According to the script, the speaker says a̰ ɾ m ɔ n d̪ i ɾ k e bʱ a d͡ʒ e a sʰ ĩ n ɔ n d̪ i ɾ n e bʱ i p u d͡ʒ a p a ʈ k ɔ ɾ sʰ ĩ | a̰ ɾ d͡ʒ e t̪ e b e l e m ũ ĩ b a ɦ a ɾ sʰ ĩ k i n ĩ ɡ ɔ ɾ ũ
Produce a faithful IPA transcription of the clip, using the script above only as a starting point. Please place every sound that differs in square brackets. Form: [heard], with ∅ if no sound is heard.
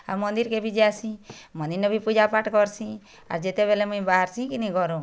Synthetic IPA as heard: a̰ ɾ m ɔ n d̪ i ɾ k e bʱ [i] d͡ʒ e a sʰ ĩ [m] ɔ n d̪ i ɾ n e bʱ i p u d͡ʒ a p a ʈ k ɔ ɾ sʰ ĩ | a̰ ɾ d͡ʒ e t̪ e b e l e m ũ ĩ b a ɦ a ɾ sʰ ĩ k i n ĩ ɡ ɔ ɾ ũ